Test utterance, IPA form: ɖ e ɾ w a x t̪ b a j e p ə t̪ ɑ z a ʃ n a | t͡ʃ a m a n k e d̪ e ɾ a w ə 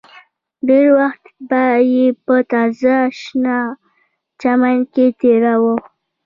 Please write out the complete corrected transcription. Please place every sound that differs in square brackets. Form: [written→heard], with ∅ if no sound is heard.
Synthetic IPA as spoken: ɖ e ɾ w a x t̪ b a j e p ə t̪ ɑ z a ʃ n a | t͡ʃ a m a n k e [d̪→t̪] e ɾ a w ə